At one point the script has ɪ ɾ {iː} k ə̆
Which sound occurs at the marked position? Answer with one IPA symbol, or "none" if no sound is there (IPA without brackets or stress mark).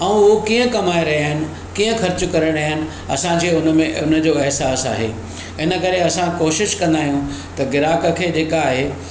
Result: aː